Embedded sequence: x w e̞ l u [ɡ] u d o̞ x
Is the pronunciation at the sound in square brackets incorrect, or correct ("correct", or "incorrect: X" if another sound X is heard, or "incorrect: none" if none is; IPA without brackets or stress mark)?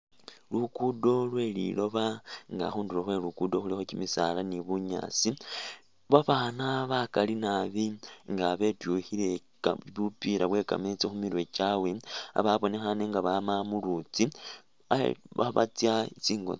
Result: incorrect: k